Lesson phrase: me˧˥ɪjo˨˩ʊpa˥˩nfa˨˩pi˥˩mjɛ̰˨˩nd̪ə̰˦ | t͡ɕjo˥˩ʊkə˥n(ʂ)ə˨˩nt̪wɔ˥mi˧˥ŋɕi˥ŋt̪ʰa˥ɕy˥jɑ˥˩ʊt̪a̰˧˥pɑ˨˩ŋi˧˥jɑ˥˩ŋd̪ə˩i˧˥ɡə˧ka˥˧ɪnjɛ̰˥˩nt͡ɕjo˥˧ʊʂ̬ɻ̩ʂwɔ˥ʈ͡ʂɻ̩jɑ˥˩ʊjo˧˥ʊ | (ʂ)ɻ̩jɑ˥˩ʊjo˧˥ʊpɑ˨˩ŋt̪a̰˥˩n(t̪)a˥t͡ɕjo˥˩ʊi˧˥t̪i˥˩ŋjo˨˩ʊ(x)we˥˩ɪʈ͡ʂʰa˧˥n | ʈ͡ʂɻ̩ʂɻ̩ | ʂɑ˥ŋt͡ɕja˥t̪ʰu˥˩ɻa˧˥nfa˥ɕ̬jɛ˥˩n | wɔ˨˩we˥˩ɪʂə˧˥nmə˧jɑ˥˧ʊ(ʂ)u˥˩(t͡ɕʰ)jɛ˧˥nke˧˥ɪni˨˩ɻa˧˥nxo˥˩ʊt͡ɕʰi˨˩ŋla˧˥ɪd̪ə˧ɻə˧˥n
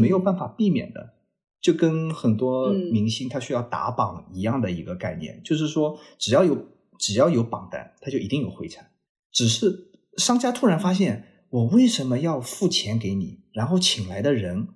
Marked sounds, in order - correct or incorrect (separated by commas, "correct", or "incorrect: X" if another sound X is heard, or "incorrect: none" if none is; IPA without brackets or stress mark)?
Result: incorrect: x, incorrect: ʈ͡ʂ, incorrect: t̪ʰ, correct, incorrect: f, correct